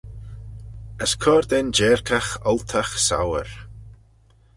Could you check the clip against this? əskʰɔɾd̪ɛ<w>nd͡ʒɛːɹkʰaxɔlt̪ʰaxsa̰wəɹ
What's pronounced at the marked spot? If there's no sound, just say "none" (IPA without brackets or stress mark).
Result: none